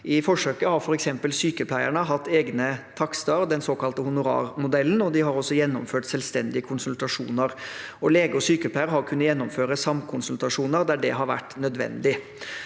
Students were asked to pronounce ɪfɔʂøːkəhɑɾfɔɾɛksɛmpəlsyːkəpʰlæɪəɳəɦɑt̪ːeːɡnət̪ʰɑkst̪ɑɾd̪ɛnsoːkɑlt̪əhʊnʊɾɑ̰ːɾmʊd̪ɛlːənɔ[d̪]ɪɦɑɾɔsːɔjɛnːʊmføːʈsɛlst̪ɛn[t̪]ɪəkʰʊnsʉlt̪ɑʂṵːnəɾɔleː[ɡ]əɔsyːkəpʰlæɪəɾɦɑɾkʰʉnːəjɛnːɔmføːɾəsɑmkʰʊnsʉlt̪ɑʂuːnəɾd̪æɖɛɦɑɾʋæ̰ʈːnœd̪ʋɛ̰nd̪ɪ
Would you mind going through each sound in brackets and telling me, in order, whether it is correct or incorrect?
correct, incorrect, correct

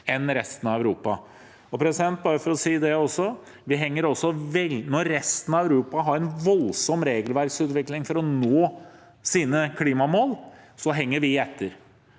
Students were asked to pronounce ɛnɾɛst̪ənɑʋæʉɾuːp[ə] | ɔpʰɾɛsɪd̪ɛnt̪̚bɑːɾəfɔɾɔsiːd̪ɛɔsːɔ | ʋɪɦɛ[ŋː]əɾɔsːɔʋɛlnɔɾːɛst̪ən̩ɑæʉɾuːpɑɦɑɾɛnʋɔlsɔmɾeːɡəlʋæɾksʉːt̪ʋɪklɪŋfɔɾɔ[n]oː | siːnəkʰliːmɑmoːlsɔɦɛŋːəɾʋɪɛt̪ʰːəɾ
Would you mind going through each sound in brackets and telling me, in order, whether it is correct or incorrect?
incorrect, correct, correct

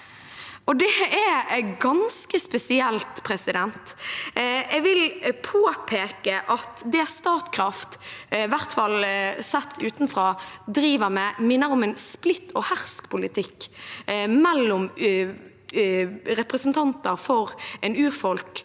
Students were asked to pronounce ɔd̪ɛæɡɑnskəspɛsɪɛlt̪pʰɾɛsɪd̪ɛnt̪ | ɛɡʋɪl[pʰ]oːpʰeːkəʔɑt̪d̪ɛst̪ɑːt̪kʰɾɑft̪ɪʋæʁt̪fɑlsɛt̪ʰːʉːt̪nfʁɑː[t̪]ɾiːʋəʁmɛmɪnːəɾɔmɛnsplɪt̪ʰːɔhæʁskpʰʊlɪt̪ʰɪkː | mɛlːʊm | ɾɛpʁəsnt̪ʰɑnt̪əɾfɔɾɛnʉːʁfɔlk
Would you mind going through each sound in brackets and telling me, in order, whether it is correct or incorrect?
correct, incorrect

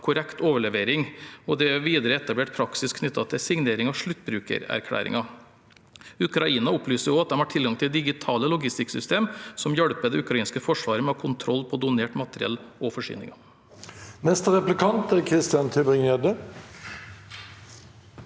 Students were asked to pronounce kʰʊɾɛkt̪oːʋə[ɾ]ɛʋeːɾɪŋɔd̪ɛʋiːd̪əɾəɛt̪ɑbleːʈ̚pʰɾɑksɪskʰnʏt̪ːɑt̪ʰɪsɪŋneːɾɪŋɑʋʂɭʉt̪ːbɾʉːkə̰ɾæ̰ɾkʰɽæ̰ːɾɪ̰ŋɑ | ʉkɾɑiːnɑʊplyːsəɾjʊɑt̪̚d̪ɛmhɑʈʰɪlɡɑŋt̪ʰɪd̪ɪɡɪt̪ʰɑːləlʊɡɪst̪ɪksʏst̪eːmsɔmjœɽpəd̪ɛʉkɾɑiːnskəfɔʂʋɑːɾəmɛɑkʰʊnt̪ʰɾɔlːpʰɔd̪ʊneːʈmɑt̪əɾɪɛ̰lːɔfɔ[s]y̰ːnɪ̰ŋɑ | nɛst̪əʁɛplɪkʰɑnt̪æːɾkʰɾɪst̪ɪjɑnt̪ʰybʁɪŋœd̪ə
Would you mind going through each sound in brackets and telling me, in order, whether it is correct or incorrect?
incorrect, incorrect

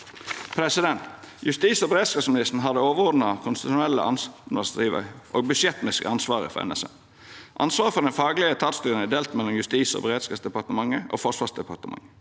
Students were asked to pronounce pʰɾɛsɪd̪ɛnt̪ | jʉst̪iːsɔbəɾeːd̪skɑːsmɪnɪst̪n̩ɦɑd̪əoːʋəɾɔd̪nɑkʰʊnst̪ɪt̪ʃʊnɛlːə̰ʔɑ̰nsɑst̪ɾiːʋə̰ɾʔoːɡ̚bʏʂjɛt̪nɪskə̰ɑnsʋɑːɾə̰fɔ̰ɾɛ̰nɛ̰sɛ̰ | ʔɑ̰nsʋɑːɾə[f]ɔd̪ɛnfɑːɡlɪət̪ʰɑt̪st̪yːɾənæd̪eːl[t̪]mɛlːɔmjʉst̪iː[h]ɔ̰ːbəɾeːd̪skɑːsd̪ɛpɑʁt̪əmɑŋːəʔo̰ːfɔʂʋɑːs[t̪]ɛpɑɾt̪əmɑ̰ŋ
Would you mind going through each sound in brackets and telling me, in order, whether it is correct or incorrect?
correct, correct, incorrect, incorrect

